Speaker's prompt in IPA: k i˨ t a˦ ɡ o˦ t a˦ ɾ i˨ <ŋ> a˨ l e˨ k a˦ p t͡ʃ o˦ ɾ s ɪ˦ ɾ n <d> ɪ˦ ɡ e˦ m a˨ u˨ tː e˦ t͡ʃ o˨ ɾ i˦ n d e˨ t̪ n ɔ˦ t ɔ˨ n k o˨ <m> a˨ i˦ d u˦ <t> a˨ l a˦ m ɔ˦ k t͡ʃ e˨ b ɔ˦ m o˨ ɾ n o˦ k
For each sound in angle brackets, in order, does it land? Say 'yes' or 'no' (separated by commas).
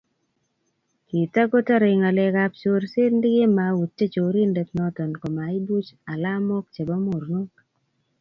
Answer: yes, yes, yes, no